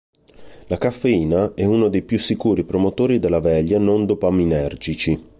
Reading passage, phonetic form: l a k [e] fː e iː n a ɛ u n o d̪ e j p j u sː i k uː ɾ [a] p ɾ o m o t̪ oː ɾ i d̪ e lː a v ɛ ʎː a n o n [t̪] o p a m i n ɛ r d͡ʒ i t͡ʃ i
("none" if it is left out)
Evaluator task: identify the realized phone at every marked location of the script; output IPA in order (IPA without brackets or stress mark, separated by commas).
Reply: a, i, d̪